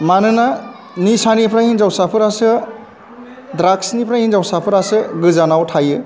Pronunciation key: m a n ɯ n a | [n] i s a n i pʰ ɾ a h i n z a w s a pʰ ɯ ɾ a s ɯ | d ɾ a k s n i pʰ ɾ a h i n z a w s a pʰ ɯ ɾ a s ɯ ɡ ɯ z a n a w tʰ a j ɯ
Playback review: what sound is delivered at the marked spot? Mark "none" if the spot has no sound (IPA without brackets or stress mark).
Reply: n